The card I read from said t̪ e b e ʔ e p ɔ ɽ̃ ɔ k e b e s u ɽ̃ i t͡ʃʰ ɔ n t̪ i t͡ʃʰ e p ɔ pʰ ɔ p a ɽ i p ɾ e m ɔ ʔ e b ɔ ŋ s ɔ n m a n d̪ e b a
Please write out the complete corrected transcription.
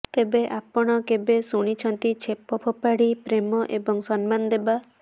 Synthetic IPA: t̪ e b e ʔ a p ɔ ɽ̃ ɔ k e b e s u ɽ̃ i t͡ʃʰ ɔ n t̪ i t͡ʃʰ e p ɔ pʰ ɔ p a ɽ i p ɾ e m ɔ ʔ e b ɔ ŋ s ɔ n m a n d̪ e b a